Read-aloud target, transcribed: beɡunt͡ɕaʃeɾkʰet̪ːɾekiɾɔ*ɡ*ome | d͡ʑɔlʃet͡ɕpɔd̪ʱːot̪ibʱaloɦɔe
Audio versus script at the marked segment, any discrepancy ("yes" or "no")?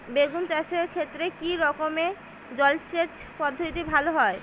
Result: yes